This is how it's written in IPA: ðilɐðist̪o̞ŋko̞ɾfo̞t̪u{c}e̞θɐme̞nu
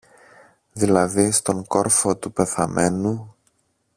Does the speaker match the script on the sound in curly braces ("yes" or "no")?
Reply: no